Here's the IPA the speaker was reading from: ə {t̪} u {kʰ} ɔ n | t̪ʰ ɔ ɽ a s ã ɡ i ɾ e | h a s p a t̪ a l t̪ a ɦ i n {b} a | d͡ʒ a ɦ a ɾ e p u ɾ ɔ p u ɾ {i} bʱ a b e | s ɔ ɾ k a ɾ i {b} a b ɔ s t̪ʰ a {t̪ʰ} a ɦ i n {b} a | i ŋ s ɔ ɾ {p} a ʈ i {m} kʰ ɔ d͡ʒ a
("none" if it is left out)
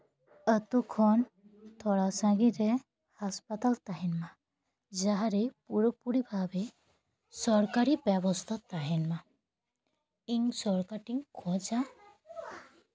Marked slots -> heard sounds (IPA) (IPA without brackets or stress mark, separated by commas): t̪, kʰ, m, i, b, t̪, m, k, ŋ